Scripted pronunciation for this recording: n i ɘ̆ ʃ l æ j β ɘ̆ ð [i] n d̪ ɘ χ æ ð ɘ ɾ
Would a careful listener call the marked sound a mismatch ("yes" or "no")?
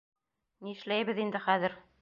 no